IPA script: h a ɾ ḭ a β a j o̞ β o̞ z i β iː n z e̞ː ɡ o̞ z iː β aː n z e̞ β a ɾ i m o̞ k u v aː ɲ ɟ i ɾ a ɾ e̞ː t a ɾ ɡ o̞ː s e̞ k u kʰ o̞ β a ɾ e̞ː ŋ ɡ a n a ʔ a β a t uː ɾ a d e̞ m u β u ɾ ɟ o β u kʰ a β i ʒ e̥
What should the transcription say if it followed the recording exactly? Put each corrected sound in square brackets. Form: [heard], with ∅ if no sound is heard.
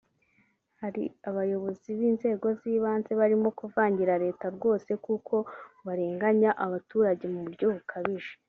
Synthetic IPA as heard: h a ɾ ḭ a β a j o̞ β o̞ z i β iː n z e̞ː ɡ o̞ z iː β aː n z e̞ β a ɾ i m o̞ k u v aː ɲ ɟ i ɾ a ɾ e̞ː t a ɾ ɡ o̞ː s e̞ k u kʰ o̞ β a ɾ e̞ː ŋ ɡ a [ɲ] a ʔ a β a t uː ɾ a [ɟ] e̞ m u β u ɾ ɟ o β u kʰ a β i ʒ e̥